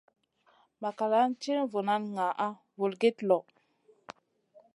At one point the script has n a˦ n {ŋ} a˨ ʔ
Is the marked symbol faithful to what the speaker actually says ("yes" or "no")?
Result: yes